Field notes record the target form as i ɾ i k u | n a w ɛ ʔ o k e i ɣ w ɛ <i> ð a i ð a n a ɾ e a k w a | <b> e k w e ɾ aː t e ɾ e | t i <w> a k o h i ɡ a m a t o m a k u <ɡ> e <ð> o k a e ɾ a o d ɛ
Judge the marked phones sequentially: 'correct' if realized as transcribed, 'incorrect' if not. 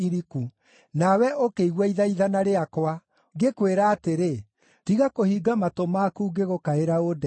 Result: correct, incorrect, incorrect, correct, incorrect

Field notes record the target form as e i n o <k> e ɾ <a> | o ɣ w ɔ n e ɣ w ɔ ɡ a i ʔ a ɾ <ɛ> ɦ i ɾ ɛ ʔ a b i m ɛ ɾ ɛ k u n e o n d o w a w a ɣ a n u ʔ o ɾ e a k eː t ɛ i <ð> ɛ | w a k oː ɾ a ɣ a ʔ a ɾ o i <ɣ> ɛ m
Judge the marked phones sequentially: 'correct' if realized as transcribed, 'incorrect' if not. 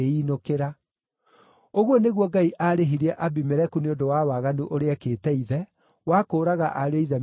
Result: correct, correct, incorrect, correct, incorrect

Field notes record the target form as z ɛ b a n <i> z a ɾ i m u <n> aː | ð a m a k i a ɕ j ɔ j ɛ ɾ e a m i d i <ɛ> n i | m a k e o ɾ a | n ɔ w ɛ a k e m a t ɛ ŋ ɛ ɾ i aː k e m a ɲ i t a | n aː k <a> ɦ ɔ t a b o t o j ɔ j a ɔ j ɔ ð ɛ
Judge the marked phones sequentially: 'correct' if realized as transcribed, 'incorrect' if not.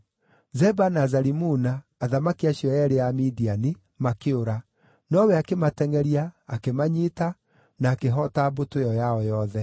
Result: incorrect, correct, incorrect, incorrect

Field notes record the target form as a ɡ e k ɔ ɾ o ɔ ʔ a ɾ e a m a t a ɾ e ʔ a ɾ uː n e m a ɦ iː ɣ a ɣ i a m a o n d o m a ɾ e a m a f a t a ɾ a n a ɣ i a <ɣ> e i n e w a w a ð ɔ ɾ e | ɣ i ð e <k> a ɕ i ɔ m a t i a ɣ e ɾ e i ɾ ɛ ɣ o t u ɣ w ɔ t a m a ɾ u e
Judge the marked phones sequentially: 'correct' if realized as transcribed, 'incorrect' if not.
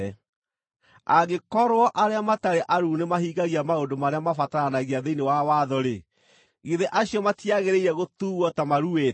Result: incorrect, incorrect

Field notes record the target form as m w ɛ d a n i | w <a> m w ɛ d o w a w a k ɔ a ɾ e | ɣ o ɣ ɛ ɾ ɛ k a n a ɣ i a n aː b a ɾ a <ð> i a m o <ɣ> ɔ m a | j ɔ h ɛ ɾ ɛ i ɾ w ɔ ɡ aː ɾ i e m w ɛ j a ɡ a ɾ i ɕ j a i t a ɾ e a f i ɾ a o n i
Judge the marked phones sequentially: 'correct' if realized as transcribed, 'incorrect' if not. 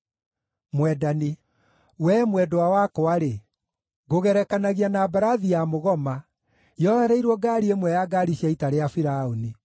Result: incorrect, correct, correct

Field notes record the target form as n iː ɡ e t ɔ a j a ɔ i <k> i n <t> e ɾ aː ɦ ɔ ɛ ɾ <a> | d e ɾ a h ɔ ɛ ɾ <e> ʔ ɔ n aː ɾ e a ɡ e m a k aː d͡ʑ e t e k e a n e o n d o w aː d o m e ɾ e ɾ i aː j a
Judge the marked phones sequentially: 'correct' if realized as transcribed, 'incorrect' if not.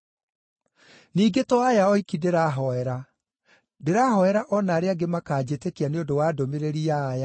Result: correct, incorrect, correct, incorrect

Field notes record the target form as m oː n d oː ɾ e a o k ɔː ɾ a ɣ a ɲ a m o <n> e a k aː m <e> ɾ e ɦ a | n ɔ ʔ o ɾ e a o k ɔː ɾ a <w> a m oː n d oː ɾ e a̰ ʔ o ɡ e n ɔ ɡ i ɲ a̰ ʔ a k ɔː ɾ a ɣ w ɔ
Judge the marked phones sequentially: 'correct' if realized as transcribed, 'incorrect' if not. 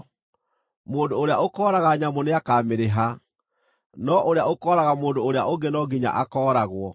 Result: correct, correct, incorrect

